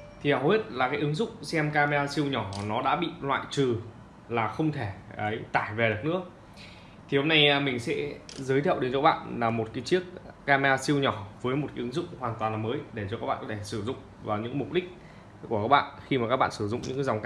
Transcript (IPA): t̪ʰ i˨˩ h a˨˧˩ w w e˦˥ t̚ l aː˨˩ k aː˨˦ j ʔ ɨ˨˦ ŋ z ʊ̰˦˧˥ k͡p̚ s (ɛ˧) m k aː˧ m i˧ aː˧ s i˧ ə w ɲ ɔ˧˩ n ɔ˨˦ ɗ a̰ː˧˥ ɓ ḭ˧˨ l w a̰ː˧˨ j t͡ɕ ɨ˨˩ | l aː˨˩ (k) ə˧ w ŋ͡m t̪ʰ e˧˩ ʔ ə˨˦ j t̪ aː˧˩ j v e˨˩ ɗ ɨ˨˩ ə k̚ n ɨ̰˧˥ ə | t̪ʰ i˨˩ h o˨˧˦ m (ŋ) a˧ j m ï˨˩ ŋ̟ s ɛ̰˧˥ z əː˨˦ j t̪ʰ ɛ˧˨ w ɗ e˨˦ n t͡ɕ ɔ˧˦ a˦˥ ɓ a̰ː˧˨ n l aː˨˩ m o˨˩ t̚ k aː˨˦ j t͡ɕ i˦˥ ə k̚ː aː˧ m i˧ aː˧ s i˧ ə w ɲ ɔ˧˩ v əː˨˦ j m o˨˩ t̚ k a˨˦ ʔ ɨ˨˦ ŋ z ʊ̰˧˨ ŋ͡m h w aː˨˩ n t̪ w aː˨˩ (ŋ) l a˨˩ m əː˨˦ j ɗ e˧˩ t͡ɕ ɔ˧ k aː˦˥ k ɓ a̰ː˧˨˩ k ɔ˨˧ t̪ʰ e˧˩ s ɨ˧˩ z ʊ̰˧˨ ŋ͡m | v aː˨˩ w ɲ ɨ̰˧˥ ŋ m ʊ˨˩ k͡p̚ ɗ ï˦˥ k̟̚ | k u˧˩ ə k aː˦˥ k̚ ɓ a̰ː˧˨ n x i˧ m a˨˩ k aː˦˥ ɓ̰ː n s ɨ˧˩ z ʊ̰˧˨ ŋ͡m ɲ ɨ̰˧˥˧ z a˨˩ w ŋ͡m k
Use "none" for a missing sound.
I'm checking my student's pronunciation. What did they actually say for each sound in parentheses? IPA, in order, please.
ɛ˧, x, n, n

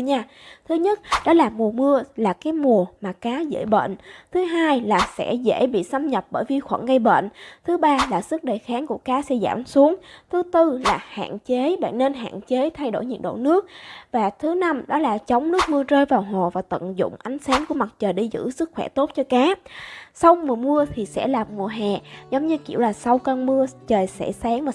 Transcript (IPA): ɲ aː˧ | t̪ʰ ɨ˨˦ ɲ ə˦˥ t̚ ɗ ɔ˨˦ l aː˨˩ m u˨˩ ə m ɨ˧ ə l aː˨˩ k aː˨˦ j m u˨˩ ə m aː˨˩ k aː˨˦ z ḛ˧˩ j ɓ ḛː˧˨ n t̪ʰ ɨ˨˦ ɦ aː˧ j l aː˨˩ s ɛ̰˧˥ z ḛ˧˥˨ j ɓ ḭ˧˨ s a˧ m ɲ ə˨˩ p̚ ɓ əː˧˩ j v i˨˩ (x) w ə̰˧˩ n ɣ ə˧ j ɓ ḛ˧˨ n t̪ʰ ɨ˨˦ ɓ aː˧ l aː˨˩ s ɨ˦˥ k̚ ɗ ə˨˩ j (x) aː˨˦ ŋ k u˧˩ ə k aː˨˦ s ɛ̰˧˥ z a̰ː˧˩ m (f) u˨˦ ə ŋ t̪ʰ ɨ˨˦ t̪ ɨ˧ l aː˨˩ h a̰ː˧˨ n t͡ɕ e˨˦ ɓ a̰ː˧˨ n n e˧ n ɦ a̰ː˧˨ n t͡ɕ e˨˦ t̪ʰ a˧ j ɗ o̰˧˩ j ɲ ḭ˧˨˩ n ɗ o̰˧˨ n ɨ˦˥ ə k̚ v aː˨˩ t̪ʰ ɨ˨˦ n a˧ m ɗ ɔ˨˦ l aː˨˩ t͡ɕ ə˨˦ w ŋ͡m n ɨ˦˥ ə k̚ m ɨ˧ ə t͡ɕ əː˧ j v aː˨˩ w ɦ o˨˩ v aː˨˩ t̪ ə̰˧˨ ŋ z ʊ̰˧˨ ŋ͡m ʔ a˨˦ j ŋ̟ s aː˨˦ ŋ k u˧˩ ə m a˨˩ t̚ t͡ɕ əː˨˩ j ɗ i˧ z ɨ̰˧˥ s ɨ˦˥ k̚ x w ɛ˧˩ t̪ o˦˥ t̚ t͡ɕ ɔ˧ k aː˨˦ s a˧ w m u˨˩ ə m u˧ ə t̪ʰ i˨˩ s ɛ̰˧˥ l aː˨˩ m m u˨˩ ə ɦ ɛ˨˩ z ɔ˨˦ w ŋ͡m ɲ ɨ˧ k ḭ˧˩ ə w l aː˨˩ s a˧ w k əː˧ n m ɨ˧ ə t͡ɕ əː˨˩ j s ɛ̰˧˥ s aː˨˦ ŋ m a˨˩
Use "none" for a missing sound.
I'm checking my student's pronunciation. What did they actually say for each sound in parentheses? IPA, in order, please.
x, x, s

